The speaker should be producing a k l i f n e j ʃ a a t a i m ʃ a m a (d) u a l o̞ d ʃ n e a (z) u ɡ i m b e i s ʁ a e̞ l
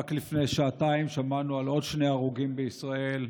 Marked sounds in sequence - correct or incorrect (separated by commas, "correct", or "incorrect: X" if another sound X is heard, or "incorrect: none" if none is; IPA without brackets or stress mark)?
incorrect: n, incorrect: ʁ